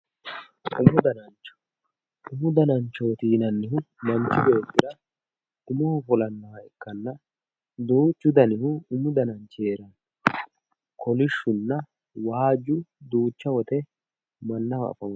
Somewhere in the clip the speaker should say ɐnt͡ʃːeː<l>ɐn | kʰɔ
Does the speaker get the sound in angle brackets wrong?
yes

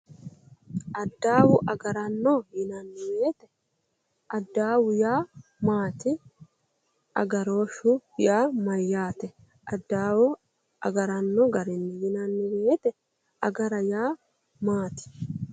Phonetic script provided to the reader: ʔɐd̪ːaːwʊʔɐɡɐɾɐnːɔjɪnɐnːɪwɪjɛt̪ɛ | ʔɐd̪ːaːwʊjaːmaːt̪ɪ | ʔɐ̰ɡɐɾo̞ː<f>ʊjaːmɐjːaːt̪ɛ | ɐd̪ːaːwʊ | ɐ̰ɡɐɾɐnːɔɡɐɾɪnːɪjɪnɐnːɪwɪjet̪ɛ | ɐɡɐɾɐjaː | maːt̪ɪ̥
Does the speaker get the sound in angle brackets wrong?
yes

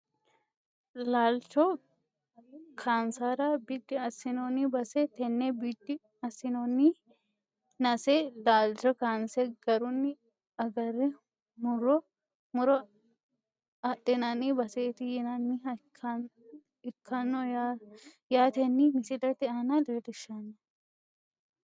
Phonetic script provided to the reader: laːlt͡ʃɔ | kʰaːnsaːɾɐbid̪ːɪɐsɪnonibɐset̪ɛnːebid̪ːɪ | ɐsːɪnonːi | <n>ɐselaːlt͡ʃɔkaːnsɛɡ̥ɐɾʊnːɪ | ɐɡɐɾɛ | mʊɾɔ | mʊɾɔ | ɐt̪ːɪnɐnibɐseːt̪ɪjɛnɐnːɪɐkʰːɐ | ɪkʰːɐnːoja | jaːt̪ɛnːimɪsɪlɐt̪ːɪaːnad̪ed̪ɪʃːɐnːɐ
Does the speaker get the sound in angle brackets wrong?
no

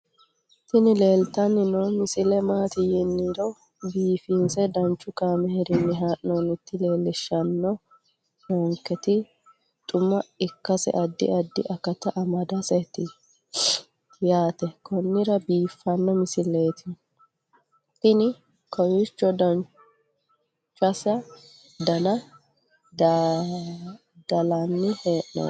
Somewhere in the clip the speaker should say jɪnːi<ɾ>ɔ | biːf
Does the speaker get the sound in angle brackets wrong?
no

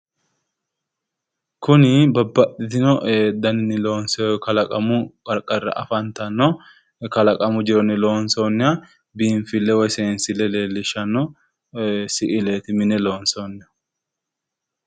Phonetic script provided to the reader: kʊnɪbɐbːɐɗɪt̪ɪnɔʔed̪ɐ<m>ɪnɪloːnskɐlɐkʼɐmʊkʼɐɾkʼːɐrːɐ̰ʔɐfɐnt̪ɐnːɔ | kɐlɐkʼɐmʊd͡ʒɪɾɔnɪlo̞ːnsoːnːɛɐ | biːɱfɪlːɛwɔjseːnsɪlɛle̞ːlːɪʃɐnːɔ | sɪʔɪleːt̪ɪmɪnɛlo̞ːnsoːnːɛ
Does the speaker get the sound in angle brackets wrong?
yes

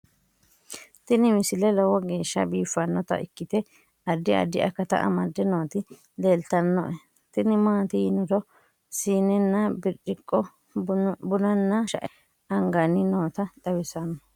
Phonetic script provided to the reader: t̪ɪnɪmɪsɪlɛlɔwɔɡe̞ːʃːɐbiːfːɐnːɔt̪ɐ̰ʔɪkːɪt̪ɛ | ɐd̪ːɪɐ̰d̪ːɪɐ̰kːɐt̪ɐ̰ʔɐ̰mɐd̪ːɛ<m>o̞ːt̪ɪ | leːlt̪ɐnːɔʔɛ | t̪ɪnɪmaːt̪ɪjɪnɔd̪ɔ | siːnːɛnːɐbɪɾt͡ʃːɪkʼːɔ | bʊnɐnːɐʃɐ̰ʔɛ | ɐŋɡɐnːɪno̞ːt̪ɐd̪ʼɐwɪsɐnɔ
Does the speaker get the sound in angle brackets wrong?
yes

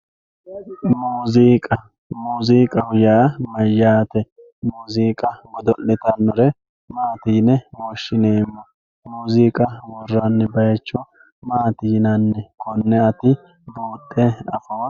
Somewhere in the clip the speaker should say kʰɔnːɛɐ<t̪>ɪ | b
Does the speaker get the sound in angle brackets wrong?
no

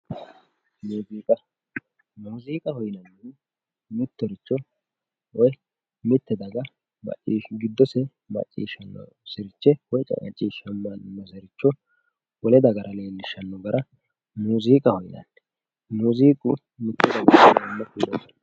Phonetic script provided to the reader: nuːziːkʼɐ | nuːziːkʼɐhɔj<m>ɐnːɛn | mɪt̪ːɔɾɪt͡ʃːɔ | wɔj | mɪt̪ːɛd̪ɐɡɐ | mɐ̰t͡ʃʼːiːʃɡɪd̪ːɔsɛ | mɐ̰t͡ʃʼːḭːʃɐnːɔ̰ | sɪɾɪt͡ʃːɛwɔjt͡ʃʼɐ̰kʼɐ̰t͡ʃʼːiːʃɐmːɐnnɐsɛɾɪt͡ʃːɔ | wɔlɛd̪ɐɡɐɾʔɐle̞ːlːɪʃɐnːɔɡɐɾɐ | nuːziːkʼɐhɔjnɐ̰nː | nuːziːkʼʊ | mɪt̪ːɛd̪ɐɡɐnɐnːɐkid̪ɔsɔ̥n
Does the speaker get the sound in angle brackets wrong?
yes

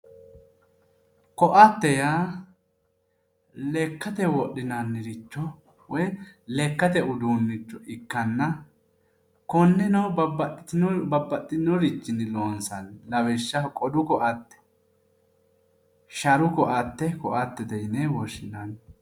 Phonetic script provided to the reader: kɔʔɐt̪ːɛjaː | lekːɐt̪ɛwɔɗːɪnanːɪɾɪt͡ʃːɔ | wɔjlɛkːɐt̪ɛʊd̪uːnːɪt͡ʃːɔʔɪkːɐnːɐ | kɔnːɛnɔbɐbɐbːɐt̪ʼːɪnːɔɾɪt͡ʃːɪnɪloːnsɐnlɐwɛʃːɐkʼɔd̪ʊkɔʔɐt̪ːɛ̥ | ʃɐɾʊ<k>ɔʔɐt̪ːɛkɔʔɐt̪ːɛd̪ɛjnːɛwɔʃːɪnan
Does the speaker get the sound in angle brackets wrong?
no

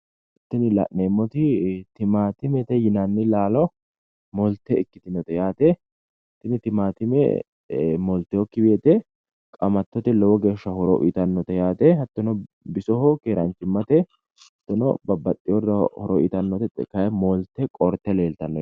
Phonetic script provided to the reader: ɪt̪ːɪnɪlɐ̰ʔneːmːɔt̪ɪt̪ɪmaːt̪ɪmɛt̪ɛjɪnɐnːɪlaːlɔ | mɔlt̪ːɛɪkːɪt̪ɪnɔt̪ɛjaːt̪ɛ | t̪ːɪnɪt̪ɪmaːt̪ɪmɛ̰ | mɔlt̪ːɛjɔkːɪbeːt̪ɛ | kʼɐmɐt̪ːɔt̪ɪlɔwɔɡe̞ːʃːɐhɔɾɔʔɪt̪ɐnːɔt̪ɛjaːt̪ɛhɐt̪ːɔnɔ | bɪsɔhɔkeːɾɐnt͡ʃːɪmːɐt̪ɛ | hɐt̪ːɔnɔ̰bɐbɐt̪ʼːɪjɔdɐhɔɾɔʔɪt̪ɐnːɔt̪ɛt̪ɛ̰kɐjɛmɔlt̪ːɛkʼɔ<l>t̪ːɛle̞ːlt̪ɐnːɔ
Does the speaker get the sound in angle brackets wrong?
yes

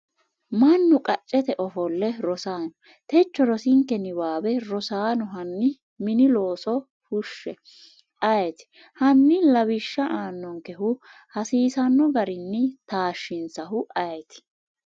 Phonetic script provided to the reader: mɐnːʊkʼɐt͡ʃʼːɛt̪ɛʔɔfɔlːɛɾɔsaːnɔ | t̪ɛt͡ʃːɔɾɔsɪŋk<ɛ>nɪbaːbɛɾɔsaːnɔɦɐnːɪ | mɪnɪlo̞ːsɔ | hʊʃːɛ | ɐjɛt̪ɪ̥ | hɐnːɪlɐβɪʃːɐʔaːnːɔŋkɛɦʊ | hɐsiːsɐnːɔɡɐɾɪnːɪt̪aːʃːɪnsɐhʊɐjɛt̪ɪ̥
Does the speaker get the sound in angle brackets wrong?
no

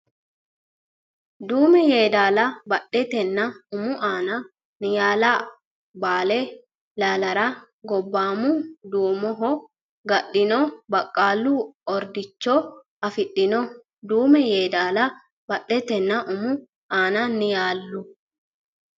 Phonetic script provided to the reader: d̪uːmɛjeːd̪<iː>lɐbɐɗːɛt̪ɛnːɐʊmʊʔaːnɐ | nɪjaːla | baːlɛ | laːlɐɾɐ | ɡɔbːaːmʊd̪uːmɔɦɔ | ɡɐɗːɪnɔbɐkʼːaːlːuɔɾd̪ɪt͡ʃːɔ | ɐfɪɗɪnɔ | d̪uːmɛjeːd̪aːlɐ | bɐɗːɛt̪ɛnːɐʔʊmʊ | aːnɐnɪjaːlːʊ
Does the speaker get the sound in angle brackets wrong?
yes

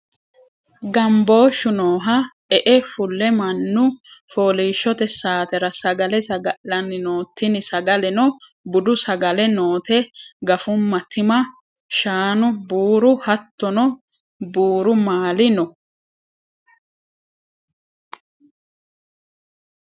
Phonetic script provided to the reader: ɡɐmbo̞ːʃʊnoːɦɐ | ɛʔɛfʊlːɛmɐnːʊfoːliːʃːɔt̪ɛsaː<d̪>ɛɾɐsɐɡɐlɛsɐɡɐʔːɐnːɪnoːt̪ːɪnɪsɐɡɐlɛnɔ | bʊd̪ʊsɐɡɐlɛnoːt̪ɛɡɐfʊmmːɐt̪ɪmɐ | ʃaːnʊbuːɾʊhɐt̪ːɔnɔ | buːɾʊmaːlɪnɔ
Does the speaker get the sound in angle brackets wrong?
yes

